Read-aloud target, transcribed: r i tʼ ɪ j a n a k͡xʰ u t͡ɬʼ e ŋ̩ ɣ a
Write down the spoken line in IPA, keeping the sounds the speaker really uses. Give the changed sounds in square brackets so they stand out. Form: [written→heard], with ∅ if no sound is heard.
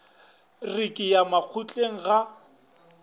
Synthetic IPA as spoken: r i [tʼ→kʼ] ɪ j a [n→m] a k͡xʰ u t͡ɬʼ e ŋ̩ ɣ a